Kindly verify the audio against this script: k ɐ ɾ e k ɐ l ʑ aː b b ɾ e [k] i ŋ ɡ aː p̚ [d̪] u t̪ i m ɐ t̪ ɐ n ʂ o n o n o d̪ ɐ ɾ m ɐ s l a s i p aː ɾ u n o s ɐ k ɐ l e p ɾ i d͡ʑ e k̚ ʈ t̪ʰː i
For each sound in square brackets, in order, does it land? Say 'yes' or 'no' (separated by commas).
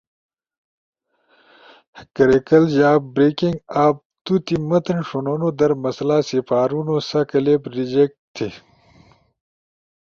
yes, no